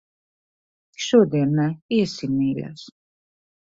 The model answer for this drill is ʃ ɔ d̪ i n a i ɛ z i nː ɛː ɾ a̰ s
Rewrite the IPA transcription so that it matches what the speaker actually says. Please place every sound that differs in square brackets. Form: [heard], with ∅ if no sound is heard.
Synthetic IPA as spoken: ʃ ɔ d̪ [ɛ] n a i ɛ [s] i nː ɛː [l] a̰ s